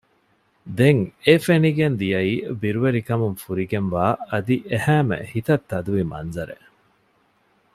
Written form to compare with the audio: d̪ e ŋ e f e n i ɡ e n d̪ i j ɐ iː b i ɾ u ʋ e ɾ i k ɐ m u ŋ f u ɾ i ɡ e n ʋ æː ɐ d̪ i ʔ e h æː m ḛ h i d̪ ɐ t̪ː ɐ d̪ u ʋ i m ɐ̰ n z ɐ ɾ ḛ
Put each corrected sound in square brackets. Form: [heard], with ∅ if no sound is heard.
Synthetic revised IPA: d̪ e ŋ e f e n i ɡ e n d̪ i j ɐ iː b i ɾ u ʋ e ɾ i k ɐ m u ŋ f u ɾ i ɡ e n ʋ [aː] ɐ d̪ i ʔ e h æː m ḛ h i [t̪] ɐ t̪ː ɐ d̪ u ʋ i m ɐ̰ n z ɐ ɾ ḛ